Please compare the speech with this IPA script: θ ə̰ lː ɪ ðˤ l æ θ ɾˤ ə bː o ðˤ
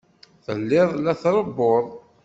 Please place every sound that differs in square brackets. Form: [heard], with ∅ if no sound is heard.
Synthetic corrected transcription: θ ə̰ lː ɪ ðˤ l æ θ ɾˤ ə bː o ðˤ